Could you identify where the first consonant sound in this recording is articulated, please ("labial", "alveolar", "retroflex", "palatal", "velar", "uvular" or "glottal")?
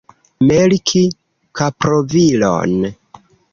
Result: labial